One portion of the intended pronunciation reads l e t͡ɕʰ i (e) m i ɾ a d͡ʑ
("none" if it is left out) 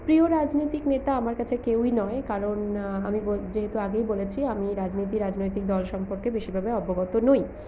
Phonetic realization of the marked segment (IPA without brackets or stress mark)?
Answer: a